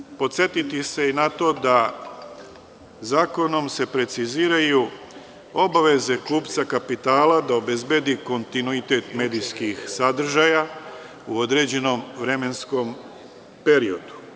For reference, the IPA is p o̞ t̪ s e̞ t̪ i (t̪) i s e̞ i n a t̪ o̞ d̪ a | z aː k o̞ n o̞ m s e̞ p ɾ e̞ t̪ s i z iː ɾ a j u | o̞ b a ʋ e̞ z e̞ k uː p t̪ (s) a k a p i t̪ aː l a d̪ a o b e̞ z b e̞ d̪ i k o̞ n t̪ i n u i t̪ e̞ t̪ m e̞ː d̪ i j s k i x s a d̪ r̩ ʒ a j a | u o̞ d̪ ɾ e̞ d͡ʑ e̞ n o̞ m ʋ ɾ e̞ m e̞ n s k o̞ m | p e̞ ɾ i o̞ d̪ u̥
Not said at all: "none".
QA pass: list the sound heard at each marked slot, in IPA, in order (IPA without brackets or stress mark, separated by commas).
t̪, s